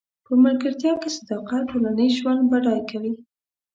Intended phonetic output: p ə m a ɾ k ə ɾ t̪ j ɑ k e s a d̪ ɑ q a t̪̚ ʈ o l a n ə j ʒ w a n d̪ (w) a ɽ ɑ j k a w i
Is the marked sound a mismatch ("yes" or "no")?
yes